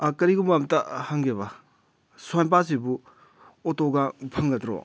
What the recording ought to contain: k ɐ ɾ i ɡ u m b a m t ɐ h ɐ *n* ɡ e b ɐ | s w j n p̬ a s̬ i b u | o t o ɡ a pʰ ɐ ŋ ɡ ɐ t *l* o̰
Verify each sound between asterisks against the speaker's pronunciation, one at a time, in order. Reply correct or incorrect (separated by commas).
incorrect, incorrect